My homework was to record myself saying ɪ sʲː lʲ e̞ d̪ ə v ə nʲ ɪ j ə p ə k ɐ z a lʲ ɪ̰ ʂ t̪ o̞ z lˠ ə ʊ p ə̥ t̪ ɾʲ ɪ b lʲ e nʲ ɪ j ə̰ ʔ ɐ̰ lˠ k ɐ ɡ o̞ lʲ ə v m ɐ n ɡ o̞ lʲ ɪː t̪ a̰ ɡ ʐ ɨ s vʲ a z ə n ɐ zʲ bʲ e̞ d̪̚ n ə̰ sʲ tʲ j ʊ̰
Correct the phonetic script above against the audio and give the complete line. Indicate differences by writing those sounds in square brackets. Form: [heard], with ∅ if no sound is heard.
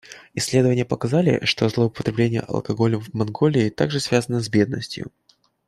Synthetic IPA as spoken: ɪ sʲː lʲ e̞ d̪ ə v ə nʲ ɪ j ə p ə k ɐ z a lʲ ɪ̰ ʂ t̪ o̞ z lˠ ə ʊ p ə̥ t̪ ɾʲ ɪ b lʲ e nʲ ɪ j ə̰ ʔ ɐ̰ lˠ k ɐ ɡ o̞ lʲ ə v m ɐ n ɡ o̞ lʲ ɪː t̪ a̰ ɡ ʐ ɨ s vʲ a z ə n [ə] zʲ bʲ e̞ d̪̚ n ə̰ sʲ tʲ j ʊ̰